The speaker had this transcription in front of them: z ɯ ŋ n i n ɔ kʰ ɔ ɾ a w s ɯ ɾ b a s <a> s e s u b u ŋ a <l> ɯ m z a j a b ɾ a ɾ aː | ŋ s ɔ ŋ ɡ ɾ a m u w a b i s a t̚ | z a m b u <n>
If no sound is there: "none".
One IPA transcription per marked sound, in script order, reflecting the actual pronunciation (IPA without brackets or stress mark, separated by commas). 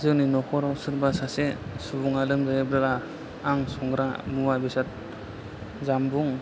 a, l, ŋ